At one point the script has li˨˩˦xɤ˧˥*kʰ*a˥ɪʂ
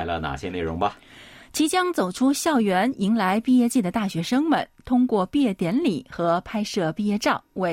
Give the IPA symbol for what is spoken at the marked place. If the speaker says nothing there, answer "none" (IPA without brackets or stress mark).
pʰ